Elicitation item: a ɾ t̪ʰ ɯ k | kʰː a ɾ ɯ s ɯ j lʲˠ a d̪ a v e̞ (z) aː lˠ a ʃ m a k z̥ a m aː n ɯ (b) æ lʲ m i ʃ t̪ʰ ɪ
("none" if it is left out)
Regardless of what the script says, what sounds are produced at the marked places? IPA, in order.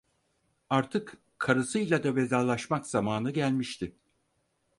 z, ɟ

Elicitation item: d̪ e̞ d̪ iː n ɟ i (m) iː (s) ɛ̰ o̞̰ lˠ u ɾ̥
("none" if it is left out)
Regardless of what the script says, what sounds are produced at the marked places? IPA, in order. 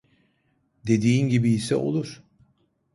b, s

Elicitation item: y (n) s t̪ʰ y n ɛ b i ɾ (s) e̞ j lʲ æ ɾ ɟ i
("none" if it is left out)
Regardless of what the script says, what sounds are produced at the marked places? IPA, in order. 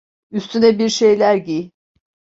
none, ʃ

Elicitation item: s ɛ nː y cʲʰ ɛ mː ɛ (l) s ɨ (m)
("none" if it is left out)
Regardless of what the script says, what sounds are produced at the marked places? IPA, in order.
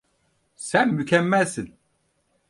l, n

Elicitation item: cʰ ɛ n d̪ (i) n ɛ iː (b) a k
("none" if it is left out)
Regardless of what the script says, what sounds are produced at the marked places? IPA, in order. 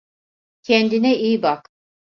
i, b

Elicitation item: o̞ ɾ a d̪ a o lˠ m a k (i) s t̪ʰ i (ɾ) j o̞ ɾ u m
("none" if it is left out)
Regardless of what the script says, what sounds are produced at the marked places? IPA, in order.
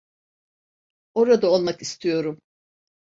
i, none

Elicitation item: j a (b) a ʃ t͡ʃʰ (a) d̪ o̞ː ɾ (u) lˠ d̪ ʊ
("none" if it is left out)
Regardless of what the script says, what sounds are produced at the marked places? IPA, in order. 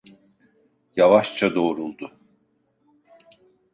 v, a, u

